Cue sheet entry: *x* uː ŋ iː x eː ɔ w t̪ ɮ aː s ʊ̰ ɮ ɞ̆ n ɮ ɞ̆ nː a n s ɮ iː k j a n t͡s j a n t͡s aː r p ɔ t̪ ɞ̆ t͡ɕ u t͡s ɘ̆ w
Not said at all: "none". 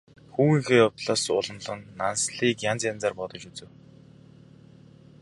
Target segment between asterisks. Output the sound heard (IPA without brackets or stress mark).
x